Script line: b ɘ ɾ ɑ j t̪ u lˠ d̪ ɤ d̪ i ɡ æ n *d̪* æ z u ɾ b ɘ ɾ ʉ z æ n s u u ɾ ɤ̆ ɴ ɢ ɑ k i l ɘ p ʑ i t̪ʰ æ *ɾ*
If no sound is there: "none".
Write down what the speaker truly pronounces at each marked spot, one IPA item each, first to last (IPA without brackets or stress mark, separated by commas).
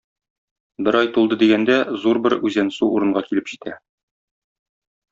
d̪, none